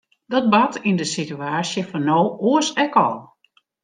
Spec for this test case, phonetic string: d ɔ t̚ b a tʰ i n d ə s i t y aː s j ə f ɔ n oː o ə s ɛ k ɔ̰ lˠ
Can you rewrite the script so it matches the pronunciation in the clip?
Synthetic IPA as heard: d ɔ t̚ b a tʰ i n d ə s i t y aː s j ə f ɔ n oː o ə s ɛ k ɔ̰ lˠ